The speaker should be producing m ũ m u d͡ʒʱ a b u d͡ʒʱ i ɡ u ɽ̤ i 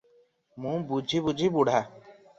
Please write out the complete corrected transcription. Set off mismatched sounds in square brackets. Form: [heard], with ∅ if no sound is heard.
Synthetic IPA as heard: m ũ [b] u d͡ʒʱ [i] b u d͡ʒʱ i [b] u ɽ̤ [a]